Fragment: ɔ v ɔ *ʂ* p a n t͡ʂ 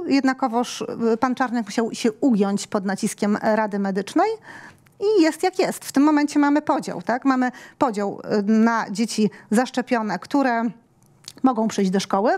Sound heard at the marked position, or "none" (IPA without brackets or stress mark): ʂ